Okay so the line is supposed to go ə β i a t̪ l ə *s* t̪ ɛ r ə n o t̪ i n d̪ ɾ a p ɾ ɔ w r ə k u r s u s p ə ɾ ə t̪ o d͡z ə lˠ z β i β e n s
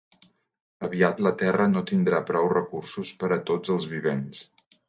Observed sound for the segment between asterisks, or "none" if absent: none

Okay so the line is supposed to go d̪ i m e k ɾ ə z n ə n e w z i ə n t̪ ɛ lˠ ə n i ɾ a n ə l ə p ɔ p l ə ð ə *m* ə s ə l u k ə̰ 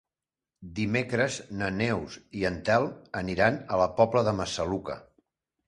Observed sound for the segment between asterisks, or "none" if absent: m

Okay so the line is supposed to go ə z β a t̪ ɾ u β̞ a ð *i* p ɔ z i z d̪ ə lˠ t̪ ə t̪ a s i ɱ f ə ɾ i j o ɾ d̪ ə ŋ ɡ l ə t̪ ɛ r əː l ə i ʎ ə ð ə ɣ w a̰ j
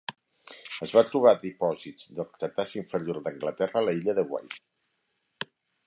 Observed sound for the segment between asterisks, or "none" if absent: i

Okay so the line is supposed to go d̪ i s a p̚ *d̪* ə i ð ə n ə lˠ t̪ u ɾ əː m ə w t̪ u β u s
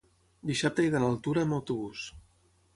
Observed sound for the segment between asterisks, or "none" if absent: t̪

